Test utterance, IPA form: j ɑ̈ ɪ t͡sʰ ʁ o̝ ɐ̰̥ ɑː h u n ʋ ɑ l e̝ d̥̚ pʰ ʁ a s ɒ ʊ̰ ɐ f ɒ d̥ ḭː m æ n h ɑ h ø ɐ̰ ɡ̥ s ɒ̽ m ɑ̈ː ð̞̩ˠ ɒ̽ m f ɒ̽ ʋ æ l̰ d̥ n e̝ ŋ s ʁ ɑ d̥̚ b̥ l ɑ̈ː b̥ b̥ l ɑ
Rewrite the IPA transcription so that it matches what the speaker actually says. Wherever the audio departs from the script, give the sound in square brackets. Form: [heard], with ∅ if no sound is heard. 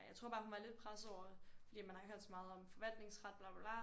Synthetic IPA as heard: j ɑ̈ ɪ t͡sʰ ʁ o̝ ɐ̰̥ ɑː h u n ʋ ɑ l e̝ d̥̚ pʰ ʁ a s ɒ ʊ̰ ɐ f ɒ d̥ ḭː m æ n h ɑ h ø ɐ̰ [d̥] s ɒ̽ m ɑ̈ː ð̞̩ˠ ɒ̽ m f ɒ̽ ʋ æ l̰ d̥ n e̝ ŋ s ʁ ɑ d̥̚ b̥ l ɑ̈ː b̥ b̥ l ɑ